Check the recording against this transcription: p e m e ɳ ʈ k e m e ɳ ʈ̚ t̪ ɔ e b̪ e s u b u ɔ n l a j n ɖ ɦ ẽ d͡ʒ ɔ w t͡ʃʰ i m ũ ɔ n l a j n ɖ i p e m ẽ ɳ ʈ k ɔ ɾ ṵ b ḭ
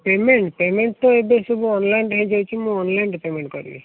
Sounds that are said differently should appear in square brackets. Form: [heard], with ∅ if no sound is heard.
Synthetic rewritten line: p e m e ɳ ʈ [p] e m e ɳ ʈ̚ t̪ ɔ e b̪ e s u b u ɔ n l a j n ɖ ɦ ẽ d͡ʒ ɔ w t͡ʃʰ i m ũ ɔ n l a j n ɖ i p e m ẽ ɳ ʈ k ɔ ɾ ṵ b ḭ